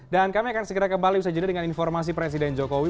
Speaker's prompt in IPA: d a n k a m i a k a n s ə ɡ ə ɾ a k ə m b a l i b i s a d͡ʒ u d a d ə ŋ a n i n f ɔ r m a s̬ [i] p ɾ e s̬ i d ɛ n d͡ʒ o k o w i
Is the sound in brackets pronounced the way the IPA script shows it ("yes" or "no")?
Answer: yes